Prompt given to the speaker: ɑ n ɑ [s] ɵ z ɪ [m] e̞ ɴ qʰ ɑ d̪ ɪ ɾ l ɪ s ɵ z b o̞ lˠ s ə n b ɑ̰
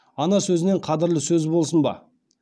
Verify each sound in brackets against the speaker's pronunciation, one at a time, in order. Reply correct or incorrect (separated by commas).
correct, incorrect